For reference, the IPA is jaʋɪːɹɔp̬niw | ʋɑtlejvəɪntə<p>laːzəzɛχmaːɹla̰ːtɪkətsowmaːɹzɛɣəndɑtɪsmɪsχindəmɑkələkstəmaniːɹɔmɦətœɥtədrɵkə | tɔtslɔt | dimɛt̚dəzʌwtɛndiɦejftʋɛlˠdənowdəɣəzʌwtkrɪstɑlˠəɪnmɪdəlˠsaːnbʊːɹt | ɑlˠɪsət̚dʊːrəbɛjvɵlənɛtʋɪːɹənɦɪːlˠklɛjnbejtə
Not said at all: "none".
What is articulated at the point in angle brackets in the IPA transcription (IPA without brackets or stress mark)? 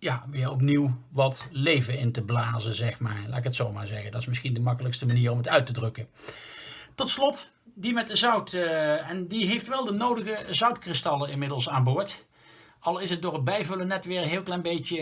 b